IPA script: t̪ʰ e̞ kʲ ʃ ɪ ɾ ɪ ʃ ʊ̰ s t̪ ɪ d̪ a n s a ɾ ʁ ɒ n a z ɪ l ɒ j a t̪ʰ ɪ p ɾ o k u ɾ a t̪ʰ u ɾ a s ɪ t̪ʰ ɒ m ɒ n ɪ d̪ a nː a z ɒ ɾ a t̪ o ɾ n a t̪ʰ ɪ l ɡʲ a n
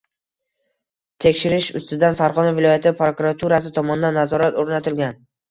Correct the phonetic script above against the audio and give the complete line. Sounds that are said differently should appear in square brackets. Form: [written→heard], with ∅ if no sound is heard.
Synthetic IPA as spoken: t̪ʰ e̞ kʲ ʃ ɪ ɾ ɪ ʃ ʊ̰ s t̪ ɪ d̪ a n [s→f] a ɾ ʁ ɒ n a [z→v] ɪ l ɒ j a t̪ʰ ɪ p ɾ o k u ɾ a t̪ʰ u ɾ a s ɪ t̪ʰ ɒ m ɒ n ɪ d̪ a nː a z ɒ ɾ a t̪ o ɾ n a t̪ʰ ɪ l ɡʲ a n